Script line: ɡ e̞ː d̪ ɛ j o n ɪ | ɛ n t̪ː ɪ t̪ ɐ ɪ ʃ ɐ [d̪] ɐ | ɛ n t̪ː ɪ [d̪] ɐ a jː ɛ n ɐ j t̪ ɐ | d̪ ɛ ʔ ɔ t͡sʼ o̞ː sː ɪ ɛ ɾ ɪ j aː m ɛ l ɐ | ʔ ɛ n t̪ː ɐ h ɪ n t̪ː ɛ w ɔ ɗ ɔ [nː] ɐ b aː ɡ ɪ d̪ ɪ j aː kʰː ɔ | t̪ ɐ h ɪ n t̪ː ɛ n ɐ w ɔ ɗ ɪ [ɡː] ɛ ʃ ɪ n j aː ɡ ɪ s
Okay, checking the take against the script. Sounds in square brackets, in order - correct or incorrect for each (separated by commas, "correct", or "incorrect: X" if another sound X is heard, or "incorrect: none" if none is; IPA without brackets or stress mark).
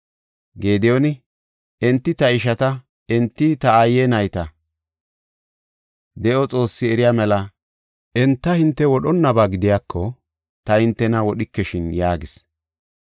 incorrect: t̪, incorrect: t̪, correct, incorrect: kː